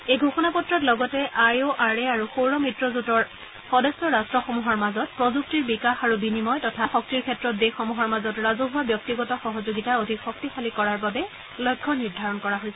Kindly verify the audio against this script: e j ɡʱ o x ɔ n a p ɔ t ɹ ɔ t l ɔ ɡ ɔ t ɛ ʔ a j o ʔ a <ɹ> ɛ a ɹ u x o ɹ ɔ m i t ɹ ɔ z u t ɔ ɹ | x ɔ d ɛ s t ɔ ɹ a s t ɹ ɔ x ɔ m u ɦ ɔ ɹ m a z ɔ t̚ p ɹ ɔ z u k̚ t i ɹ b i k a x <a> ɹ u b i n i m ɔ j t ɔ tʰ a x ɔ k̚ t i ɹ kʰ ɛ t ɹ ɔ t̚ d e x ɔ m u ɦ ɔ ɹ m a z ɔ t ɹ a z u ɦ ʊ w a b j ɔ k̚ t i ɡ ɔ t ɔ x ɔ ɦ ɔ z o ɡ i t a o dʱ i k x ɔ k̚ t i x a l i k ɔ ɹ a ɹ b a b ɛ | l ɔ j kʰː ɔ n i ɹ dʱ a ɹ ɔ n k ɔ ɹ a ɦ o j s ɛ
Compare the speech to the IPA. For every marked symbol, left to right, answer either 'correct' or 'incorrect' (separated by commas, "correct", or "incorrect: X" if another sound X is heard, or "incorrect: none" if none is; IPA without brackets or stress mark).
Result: correct, correct